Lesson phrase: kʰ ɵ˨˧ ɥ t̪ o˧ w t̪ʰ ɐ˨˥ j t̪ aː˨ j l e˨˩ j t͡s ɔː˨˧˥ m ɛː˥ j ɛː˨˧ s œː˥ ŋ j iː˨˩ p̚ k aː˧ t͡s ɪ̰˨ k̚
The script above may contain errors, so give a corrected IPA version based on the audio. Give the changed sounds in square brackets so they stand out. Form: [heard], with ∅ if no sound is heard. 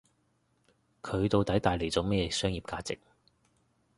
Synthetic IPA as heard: kʰ ɵ˨˧ ɥ t̪ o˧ w [t̪] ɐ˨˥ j t̪ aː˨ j l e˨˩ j t͡s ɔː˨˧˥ m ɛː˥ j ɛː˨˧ s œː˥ ŋ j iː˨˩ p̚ k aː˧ t͡s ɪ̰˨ k̚